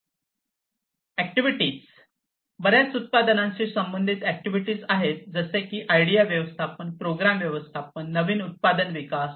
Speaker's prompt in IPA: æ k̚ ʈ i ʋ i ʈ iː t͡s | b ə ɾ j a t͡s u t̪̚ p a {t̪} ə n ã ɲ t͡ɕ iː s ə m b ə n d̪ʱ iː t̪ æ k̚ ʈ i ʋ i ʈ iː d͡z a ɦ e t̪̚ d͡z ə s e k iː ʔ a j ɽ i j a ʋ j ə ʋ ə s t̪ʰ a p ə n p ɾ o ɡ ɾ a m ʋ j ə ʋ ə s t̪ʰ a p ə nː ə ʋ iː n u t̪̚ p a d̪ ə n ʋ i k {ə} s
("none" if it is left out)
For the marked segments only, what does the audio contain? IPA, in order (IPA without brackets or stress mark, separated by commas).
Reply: d̪, a